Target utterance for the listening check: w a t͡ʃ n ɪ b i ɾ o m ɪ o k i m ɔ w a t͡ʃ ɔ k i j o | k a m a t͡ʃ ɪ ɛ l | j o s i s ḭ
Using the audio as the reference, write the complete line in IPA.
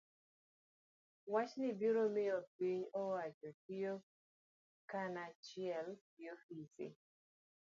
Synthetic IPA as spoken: w a t͡ʃ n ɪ b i ɾ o m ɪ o p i ɲ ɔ w a t͡ʃ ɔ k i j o | k a n a t͡ʃ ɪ ɛ l | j o f i s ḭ